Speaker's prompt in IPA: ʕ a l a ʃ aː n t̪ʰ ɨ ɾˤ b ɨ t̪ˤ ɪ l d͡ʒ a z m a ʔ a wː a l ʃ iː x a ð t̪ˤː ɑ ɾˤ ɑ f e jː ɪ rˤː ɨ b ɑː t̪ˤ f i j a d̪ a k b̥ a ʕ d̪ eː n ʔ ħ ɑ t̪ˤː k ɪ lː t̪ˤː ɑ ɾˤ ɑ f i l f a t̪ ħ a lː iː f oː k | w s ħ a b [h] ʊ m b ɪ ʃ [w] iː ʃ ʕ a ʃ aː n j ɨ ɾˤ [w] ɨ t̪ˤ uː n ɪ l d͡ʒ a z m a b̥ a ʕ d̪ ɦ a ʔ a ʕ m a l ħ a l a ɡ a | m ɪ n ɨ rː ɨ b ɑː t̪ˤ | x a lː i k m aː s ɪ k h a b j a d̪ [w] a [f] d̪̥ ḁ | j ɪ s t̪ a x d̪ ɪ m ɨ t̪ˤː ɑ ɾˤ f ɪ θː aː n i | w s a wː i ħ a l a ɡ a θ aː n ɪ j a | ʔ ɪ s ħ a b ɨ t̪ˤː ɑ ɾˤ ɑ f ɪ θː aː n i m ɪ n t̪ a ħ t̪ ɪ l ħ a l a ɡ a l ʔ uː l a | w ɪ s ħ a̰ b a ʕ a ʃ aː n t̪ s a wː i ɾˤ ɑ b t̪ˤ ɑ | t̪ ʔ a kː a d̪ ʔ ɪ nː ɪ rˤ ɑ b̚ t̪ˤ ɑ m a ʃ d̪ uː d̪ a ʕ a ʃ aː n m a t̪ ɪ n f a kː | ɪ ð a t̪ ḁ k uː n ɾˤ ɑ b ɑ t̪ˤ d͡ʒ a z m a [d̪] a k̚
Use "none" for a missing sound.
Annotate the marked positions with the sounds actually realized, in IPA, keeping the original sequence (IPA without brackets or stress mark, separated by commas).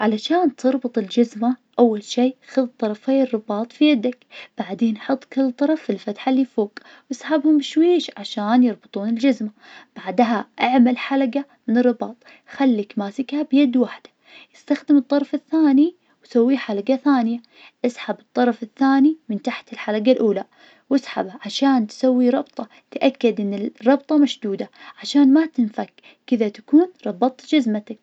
h, w, b, w, ħ, t̪